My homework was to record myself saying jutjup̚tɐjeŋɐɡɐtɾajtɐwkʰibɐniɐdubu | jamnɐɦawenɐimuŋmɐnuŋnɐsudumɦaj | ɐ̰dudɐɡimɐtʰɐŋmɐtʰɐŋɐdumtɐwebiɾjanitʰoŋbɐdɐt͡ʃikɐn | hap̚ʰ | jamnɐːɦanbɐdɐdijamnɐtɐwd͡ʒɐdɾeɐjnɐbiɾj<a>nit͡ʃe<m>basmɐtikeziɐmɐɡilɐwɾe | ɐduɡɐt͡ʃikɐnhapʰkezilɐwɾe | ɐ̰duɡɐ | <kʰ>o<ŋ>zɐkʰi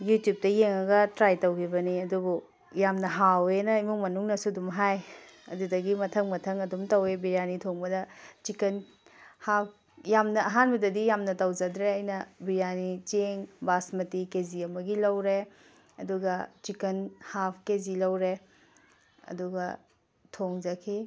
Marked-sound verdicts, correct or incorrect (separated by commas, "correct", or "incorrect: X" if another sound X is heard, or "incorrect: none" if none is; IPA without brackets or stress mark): correct, incorrect: ŋ, incorrect: tʰ, correct